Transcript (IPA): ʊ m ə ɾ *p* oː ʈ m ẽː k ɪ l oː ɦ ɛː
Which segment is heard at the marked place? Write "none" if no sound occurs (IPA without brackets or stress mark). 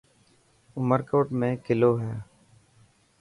k